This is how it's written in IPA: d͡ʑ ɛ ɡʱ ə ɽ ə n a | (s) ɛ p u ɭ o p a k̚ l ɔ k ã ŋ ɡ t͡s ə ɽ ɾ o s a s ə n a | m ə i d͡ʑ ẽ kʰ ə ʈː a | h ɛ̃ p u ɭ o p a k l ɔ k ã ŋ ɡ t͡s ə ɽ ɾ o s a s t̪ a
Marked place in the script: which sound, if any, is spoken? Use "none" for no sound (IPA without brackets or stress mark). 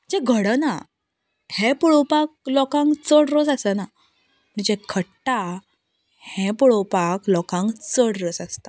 h